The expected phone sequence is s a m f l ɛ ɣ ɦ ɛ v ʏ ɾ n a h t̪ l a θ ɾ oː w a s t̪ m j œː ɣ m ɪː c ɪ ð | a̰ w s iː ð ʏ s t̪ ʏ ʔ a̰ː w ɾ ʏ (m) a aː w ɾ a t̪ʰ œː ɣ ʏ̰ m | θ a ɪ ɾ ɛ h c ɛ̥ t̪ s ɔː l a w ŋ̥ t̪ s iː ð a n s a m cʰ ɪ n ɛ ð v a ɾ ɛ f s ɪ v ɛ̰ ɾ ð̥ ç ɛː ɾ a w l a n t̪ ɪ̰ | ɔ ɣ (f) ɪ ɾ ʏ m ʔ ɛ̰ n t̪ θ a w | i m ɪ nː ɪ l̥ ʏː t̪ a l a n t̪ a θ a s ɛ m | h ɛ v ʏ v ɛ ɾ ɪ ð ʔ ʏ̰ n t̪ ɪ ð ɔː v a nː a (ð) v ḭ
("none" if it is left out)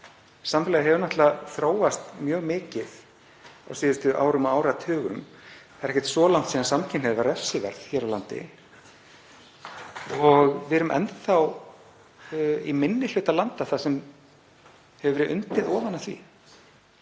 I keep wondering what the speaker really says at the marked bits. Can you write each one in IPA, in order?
m, v, θ

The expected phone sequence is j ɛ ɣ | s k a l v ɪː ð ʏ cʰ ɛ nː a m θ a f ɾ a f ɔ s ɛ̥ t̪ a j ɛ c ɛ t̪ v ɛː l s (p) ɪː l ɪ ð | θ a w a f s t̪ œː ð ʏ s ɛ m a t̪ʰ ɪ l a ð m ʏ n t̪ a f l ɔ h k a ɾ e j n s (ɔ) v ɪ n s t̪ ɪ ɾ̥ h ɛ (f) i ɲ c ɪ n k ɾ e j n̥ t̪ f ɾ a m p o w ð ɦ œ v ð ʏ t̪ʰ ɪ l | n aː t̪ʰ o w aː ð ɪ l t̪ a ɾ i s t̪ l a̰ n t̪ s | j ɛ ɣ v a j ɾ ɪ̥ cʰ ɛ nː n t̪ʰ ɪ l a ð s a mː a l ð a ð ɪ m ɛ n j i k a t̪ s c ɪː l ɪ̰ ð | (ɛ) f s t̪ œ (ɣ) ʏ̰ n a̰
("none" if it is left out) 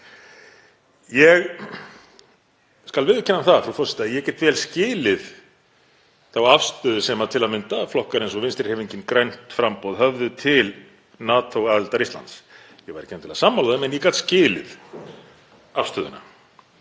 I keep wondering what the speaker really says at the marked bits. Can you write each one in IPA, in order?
c, ɔ, v, a, ð

